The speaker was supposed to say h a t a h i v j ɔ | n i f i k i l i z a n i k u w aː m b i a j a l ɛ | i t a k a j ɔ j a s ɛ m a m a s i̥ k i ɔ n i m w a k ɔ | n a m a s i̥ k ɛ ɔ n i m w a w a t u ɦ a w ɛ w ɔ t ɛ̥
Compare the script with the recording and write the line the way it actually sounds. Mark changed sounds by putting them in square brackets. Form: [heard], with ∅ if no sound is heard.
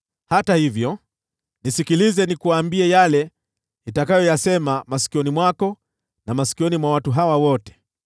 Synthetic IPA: h a t a h i v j ɔ | n i [s] i k i l i z [ɛ] n i k u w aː m b i [ɛ] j a l ɛ | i t a k a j ɔ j a s ɛ m a m a s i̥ k i ɔ n i m w a k ɔ | n a m a s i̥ k [i] ɔ n i m w a w a t u ɦ a w [a] w ɔ t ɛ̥